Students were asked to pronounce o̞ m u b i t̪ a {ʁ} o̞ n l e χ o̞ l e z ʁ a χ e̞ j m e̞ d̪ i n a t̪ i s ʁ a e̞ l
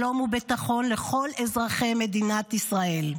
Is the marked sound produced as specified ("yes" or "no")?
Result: no